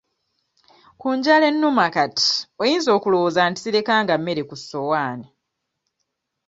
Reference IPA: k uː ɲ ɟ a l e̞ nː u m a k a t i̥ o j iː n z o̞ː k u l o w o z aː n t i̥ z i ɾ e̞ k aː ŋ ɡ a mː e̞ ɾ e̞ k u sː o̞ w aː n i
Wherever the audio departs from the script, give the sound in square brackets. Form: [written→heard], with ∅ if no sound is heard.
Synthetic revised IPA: k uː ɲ ɟ a l e̞ nː u m a k a t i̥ o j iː n z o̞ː k u l o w o z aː n t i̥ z i ɾ e̞ k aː ŋ ɡ a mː e̞ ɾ e̞ k u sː o̞ w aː n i